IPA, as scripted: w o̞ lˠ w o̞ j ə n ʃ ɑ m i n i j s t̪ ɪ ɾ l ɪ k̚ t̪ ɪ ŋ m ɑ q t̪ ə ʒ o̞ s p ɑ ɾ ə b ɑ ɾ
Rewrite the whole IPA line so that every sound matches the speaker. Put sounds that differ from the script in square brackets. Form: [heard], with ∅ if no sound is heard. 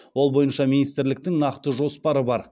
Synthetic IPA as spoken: w o̞ lˠ [b] o̞ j ə n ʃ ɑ m i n i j s t̪ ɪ ɾ l ɪ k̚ t̪ ɪ ŋ [n] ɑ q t̪ ə ʒ o̞ s p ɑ ɾ ə b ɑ ɾ